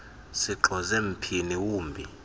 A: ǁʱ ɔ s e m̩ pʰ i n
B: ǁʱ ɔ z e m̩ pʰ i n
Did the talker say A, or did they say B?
B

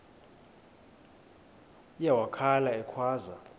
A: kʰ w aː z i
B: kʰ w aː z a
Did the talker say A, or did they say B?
B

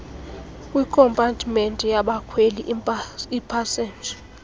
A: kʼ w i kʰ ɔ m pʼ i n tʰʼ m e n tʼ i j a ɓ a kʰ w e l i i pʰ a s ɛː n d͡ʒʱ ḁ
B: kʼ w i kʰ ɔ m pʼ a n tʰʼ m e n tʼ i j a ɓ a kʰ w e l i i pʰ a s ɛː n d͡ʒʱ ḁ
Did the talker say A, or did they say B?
B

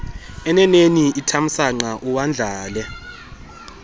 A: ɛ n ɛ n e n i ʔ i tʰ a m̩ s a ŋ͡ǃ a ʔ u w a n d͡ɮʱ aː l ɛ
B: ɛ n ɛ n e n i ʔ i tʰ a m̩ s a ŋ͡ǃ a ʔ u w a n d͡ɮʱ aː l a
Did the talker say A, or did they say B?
A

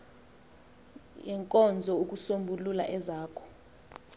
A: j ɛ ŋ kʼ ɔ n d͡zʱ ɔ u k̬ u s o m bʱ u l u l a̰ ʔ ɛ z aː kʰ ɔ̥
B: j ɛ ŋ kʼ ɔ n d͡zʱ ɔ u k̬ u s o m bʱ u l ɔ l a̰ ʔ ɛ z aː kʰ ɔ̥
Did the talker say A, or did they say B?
A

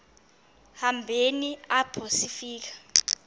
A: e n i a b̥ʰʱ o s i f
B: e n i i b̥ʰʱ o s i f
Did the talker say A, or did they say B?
A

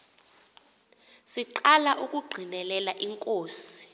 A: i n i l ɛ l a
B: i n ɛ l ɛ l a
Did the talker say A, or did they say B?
B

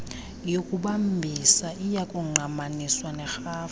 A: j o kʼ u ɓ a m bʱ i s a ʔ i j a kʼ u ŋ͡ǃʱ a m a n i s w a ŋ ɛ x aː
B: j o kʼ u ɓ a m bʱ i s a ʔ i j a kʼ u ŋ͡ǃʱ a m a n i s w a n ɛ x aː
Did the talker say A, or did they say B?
B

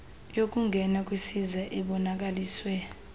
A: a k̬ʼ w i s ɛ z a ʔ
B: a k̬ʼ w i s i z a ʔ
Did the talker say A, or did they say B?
B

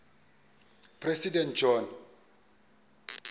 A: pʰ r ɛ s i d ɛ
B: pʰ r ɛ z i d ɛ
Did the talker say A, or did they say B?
A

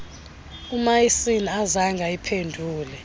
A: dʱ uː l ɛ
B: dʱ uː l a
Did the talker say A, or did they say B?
A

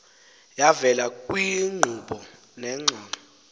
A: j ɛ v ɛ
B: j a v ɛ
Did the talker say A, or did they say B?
B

